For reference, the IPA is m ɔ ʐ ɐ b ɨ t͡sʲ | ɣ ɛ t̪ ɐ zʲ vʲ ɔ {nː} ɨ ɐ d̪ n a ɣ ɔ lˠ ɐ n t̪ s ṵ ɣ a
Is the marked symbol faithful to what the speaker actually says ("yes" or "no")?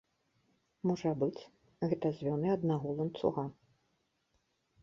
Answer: no